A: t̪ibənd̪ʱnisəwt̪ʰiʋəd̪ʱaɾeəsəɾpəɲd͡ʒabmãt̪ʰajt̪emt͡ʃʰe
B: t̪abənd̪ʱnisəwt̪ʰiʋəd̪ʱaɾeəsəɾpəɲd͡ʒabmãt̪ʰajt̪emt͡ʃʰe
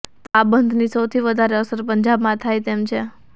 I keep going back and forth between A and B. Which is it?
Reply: B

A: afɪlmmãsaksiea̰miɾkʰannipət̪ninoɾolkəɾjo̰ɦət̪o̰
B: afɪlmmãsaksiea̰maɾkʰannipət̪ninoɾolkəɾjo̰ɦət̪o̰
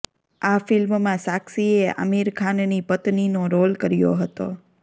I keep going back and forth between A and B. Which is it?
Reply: A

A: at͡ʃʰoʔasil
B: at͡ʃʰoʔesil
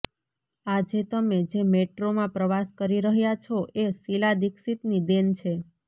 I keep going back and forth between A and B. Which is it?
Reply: B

